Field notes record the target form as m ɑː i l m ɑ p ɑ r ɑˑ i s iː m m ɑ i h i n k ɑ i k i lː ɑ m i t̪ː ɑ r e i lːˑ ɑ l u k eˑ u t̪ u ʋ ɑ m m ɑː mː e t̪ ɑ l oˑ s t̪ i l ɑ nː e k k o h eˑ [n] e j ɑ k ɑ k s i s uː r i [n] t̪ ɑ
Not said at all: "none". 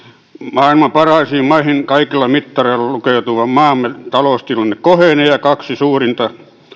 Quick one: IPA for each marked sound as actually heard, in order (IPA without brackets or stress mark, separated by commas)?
n, n